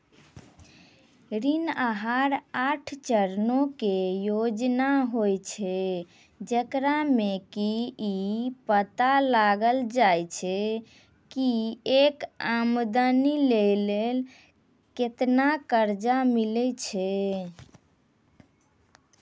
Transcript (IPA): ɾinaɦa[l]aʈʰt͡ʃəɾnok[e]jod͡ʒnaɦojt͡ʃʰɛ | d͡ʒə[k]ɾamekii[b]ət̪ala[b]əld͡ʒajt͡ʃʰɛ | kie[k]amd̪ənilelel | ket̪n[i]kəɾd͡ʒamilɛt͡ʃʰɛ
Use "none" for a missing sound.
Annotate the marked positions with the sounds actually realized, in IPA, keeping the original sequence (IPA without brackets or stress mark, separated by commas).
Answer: ɾ, e, k, p, ɡ, k, a